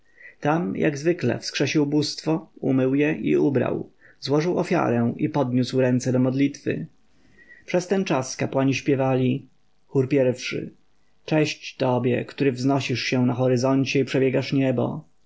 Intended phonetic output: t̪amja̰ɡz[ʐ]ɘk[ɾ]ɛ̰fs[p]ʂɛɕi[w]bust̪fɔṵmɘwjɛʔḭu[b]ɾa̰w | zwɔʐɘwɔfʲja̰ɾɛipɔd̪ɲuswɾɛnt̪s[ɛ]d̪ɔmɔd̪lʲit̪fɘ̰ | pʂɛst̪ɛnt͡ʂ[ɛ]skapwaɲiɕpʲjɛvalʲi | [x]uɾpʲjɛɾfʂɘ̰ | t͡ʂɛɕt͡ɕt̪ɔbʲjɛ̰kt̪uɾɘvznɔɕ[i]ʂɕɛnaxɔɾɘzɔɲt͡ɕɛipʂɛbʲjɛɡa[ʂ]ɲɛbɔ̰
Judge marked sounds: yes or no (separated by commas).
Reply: no, no, no, yes, yes, yes, no, yes, yes, yes